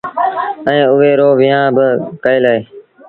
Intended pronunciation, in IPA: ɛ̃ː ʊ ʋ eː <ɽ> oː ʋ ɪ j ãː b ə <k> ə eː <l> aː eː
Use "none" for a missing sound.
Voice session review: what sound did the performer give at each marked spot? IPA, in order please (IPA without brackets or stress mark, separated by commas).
ɾ, k, l